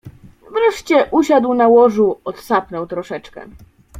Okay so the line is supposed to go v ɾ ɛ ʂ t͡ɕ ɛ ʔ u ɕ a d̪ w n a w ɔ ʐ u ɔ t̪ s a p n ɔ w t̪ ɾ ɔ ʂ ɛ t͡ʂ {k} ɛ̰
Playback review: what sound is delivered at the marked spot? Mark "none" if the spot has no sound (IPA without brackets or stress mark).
k